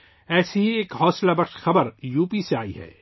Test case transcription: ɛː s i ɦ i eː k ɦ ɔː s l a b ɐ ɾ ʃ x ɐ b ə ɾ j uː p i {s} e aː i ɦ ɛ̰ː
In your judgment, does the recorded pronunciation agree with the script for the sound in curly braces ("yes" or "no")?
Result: yes